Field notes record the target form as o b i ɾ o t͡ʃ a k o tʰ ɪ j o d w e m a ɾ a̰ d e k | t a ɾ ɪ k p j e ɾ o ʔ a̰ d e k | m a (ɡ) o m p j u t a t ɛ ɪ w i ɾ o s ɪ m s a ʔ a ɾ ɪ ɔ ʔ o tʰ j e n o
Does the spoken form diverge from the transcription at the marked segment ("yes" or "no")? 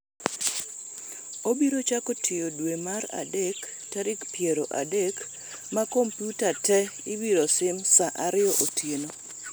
yes